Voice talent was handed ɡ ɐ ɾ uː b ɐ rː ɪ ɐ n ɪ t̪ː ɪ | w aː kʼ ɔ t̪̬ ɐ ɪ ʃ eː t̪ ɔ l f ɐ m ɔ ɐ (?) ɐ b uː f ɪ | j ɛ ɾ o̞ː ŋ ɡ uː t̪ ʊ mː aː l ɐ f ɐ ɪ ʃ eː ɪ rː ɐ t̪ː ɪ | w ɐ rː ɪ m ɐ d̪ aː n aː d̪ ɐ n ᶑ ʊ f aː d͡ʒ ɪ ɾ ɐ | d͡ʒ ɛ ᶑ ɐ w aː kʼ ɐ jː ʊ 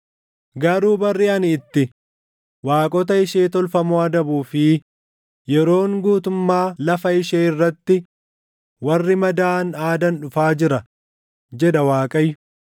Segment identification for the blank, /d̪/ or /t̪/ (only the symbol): d̪